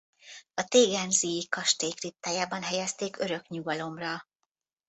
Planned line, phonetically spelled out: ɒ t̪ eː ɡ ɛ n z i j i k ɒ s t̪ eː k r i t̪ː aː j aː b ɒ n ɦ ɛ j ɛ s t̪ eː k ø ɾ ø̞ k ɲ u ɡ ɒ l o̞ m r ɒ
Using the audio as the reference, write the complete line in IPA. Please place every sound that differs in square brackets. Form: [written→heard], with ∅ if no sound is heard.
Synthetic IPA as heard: ɒ t̪ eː ɡ ɛ n z i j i k ɒ [s→ʃ] t̪ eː k r i t̪ː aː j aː b ɒ n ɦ ɛ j ɛ s t̪ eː k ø ɾ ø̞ k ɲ u ɡ ɒ l o̞ m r ɒ